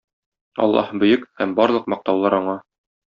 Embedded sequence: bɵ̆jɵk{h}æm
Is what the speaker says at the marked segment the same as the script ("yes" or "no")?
yes